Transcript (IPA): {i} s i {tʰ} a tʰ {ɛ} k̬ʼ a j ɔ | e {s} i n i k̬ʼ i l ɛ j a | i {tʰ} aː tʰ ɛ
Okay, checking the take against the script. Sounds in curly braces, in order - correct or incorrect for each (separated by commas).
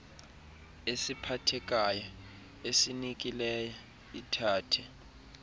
incorrect, incorrect, correct, correct, correct